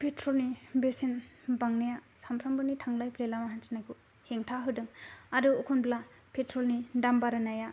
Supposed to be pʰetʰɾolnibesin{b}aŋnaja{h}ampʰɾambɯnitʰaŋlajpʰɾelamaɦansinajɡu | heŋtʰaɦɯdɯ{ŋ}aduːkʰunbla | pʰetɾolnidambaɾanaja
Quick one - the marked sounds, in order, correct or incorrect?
correct, incorrect, correct

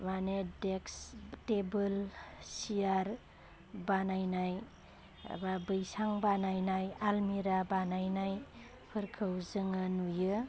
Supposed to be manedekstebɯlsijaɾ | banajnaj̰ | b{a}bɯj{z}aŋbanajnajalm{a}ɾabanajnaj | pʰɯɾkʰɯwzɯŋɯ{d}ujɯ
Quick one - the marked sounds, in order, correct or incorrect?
correct, incorrect, incorrect, incorrect

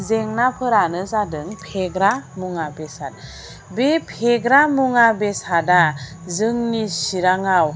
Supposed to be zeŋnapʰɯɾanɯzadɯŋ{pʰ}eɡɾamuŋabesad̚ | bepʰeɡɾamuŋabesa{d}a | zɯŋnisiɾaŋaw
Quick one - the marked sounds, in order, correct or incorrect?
correct, correct

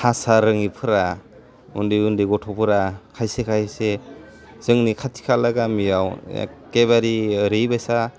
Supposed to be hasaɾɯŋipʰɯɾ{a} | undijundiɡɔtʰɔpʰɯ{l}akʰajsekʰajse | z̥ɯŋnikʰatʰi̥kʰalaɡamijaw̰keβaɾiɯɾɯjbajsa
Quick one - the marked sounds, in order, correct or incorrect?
correct, incorrect

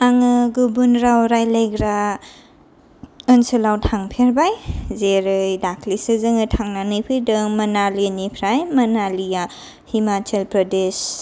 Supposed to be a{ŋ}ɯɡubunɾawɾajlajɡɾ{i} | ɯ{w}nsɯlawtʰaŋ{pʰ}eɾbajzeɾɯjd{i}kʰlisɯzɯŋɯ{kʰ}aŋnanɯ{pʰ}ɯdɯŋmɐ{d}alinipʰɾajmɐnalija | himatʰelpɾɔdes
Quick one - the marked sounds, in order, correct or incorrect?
correct, incorrect, incorrect, correct, incorrect, incorrect, correct, incorrect

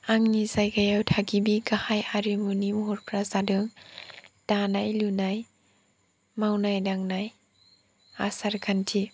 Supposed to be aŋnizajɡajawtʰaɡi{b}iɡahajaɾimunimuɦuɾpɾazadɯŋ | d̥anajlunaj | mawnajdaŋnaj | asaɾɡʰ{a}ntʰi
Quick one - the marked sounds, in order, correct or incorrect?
correct, correct

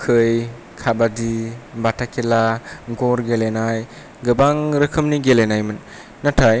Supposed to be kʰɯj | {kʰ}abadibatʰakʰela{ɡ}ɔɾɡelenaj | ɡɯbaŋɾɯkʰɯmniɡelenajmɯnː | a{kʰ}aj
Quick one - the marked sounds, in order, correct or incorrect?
correct, correct, incorrect

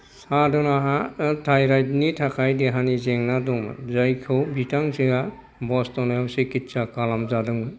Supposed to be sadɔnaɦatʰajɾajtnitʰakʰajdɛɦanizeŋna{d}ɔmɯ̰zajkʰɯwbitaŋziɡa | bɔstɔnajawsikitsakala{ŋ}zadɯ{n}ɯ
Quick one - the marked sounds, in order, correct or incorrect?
correct, incorrect, incorrect

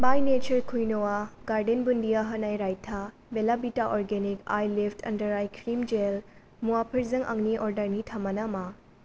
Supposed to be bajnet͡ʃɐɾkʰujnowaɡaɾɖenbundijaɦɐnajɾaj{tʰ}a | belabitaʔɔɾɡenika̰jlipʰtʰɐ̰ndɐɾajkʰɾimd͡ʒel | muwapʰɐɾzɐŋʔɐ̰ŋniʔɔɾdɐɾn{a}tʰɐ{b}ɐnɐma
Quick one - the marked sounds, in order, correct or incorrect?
correct, incorrect, incorrect

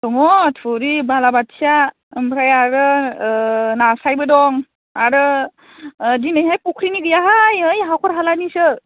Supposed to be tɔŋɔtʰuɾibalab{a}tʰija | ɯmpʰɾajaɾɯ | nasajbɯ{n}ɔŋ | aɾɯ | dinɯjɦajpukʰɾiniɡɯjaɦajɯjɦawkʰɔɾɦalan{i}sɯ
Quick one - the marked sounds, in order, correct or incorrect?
correct, incorrect, correct

